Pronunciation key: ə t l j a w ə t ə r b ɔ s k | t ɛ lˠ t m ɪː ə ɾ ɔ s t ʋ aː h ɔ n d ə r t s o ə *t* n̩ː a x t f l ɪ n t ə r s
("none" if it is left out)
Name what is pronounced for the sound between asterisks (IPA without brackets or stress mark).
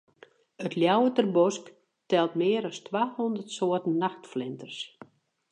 t